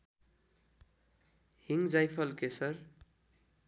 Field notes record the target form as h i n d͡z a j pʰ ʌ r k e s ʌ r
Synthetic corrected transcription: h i ŋ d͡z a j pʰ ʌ l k e s ʌ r